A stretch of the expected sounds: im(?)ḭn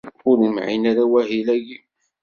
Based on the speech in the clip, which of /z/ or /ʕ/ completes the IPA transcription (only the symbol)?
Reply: ʕ